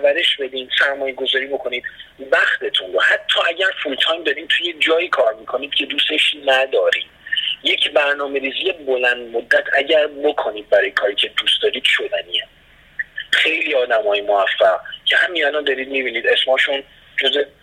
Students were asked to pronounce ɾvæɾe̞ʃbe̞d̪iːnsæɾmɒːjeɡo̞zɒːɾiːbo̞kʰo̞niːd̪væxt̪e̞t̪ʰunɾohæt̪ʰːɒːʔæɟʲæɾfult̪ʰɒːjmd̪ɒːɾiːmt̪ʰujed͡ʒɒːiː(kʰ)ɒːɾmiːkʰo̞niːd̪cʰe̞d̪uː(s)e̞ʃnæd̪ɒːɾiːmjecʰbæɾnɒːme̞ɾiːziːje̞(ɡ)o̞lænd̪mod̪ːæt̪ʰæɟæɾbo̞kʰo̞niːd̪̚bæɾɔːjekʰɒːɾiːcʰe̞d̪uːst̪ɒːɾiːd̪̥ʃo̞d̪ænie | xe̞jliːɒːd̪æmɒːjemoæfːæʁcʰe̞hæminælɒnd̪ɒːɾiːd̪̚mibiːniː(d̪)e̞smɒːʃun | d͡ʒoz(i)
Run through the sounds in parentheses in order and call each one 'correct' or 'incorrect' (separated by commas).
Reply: correct, correct, incorrect, correct, incorrect